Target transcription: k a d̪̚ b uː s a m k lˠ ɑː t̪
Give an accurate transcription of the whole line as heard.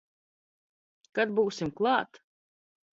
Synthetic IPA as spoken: k a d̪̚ b uː s i m k lˠ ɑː t̪